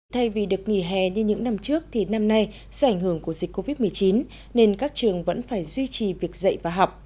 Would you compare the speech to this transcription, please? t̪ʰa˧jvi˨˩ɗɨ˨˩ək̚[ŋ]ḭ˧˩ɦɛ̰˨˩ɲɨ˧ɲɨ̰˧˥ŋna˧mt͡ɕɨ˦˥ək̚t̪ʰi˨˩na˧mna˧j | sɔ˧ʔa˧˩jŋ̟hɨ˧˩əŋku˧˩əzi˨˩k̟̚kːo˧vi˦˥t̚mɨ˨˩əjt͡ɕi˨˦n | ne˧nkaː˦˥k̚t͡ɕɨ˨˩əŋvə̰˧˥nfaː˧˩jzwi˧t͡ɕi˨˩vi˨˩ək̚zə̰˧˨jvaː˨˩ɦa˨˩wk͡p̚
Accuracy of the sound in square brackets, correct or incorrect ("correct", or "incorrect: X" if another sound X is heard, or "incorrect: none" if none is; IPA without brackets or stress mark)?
correct